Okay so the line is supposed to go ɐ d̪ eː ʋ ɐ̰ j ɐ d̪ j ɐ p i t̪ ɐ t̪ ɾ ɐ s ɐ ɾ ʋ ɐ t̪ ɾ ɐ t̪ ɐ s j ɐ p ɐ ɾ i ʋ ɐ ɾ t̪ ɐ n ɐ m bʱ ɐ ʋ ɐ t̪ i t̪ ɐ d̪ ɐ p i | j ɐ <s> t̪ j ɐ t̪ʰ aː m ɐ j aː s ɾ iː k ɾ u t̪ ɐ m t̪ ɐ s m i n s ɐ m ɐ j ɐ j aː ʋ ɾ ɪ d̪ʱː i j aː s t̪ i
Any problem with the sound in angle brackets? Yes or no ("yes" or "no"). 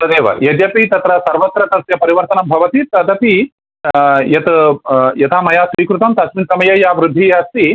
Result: yes